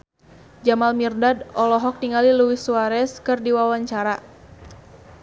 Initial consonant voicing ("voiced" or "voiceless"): voiced